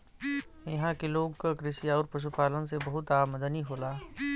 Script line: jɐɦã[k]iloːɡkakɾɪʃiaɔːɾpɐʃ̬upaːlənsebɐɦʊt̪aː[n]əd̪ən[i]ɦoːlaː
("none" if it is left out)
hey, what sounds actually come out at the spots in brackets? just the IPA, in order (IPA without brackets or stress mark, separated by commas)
k, m, i